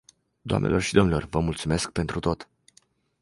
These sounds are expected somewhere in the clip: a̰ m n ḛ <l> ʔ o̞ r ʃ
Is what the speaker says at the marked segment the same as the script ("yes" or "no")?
yes